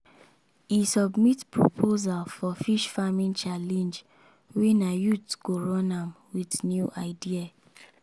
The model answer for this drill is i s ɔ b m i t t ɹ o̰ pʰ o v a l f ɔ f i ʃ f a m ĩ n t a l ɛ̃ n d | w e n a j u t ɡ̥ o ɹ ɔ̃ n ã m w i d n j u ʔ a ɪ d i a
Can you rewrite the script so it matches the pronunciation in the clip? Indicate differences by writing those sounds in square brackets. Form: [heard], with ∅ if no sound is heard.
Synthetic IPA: i s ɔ b m i t [p] ɹ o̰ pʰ o [z] a l f ɔ f i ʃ f a m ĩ n [t͡ʃ] a l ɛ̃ n [d͡ʒ] | w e n a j u t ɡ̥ o ɹ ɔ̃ n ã m w i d n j u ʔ a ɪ d i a

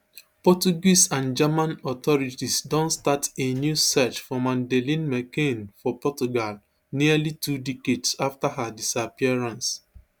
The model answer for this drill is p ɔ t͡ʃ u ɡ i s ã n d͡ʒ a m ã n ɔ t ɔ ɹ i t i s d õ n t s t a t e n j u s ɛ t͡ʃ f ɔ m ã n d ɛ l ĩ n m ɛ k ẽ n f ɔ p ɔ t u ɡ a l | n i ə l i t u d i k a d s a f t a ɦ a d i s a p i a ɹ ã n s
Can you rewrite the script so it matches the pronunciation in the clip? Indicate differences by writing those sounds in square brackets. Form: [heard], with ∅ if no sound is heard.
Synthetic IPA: p ɔ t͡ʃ u ɡ i s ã n d͡ʒ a m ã n ɔ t ɔ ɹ i t i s d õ n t s t a t e n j u s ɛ t͡ʃ f ɔ m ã n d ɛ l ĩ n m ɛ k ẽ n f ɔ p ɔ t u ɡ a l | n i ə l i t u d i k [e] d s a f t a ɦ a d i s a p i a ɹ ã n s

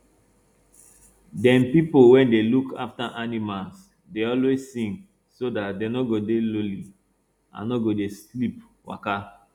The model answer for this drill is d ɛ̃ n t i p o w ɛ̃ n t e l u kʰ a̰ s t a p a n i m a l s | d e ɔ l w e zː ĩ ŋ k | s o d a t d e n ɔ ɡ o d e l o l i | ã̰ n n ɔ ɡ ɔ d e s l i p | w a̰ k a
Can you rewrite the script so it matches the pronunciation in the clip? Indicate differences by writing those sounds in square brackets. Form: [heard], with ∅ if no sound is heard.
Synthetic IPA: d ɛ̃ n [p] i p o w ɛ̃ n [d] e l u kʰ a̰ [f] t a [ʔ] a n i m a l s | d e ɔ l w e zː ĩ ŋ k | s o d a t d e n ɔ ɡ o d e l o l i | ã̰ n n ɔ ɡ [o] d e s l i p | w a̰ k a

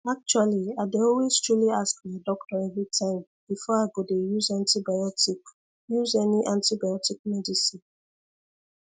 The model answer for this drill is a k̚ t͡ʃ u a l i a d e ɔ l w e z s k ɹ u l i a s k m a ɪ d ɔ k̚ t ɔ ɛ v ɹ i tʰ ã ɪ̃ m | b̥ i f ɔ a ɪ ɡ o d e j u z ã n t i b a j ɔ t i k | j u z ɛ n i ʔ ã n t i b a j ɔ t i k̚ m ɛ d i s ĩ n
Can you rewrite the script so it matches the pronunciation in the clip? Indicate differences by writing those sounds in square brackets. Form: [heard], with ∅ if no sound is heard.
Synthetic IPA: a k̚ t͡ʃ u a l i a d e ɔ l w e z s [t] ɹ u l i a s k m a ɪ d ɔ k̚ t ɔ ɛ v ɹ i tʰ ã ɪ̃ m | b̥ i f ɔ a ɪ ɡ o d e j u z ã n t i b a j ɔ t i k | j u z ɛ n i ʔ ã n t i b a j ɔ t i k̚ m ɛ d i s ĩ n

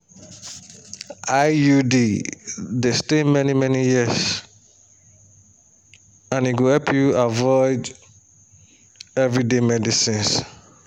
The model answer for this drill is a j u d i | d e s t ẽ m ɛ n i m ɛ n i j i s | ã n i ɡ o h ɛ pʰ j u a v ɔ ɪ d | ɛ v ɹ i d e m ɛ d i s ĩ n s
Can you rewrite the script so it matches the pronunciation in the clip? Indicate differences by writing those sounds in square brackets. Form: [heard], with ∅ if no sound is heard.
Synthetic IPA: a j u d i | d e s t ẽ m ɛ n i m ɛ n i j i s | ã n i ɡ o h ɛ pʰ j u a v ɔ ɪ d | ɛ v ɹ i d e m ɛ d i s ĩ n s

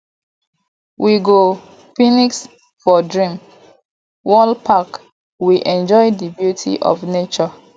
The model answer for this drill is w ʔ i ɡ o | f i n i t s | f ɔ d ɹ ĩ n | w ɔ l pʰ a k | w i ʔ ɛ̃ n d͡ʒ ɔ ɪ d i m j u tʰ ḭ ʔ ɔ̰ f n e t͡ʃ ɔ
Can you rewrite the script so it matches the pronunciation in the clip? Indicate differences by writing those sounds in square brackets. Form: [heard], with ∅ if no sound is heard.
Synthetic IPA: w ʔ i ɡ o | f i n i [k] s | f ɔ d ɹ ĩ [m] | w ɔ l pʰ a k | w i ʔ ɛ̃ n d͡ʒ ɔ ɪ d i [b] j u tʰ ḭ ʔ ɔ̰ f n e t͡ʃ ɔ

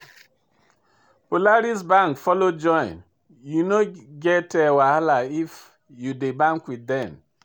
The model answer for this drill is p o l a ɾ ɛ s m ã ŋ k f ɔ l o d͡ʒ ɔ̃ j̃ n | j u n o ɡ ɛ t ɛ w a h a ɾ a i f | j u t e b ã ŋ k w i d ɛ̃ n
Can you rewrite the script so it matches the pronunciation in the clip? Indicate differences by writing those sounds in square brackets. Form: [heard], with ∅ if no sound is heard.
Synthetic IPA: p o l a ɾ [i] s [b] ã ŋ k f ɔ l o d͡ʒ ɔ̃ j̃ n | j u n o ɡ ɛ t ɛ w a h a [l] a i f | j u [d] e b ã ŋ k w i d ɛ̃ n

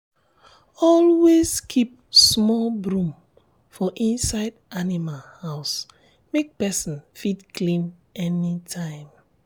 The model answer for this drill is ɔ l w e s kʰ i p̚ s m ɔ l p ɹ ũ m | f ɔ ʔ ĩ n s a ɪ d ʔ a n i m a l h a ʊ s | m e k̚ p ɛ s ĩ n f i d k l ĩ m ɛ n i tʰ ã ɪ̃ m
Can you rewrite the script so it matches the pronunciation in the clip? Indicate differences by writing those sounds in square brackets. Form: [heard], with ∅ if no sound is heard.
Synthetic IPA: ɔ l w e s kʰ i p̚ s m ɔ l [b] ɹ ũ m | f ɔ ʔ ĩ n s a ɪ d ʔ a n i m a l h a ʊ s | m e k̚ p ɛ s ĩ n f i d k l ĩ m ɛ n i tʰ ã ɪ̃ m

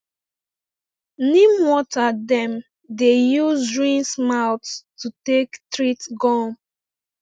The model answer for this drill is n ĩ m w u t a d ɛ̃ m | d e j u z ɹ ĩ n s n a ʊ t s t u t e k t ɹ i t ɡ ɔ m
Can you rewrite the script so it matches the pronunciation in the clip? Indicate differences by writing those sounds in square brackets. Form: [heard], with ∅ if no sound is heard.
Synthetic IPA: n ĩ m w [ɔ] t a d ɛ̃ m | d e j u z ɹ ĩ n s [m] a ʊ t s t u t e k t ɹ i t ɡ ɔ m

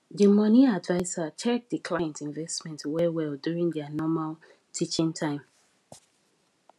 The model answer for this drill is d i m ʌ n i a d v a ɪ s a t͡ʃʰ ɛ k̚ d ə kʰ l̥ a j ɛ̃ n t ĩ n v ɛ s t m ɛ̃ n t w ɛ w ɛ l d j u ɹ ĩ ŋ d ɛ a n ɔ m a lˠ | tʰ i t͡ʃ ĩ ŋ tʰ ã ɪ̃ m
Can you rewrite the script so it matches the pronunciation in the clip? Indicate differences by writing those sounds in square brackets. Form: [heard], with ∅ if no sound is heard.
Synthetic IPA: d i m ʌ n i a d v a ɪ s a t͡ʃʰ ɛ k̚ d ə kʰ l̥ a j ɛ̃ n t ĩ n v ɛ s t m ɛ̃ n t w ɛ w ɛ l d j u ɹ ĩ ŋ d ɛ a n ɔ m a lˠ | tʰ i t͡ʃ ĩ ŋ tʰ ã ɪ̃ m

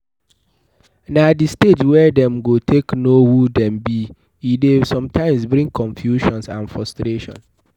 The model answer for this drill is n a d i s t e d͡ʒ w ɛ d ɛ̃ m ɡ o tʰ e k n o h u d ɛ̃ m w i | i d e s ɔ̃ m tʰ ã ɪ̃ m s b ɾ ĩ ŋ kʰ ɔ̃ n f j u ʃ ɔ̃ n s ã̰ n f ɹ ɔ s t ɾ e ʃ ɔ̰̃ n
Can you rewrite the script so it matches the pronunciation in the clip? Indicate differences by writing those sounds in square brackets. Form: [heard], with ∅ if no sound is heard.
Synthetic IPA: n a d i s t e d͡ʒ w ɛ d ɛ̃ m ɡ o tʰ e k n o h u d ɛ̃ m [b] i | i d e s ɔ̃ m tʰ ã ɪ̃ m s b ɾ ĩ ŋ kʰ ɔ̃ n f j u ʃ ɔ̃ n s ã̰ n f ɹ ɔ s t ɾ e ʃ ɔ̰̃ n

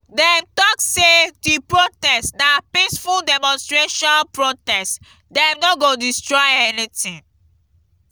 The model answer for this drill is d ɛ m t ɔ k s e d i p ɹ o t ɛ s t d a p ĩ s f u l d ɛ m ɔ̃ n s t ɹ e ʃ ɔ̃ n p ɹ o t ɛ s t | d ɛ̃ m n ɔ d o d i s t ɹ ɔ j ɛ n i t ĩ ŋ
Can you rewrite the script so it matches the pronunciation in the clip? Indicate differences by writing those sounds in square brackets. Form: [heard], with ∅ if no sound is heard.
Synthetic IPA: d ɛ m t ɔ k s e d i p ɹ o t ɛ s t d a p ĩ s f u l d ɛ m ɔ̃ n s t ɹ e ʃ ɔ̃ n p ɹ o t ɛ s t | d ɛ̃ m n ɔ [ɡ] o d i s t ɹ ɔ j ɛ n i t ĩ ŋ

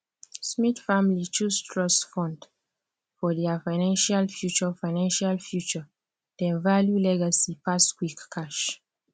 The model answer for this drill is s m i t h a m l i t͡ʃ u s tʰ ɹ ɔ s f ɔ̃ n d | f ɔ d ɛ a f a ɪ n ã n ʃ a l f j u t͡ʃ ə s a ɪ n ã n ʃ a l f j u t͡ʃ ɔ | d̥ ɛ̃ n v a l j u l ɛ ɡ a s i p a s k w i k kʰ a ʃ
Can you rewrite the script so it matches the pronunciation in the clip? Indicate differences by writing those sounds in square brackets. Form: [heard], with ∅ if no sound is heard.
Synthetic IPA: s m i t [f] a m l i t͡ʃ u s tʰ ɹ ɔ s f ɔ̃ n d | f ɔ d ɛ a f a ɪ n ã n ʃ a l f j u t͡ʃ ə [f] a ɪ n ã n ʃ a l f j u t͡ʃ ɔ | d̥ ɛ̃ n v a l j u l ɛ ɡ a s i p a s k w i k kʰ a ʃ

